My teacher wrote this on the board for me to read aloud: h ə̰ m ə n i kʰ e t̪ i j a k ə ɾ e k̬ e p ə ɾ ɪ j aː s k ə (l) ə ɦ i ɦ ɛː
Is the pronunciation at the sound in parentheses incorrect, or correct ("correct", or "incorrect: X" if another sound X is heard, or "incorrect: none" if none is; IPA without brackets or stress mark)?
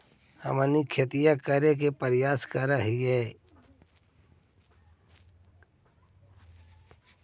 incorrect: ɾ